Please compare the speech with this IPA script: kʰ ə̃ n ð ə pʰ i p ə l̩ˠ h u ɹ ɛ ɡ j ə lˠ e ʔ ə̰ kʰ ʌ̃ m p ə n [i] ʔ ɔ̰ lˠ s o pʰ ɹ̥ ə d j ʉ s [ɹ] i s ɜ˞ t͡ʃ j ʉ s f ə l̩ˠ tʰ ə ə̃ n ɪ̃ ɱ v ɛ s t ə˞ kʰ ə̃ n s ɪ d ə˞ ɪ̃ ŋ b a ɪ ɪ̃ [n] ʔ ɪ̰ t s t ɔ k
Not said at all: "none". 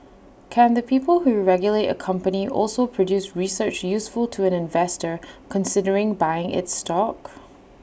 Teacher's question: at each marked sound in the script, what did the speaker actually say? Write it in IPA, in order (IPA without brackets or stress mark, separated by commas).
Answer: i, ɹ, ŋ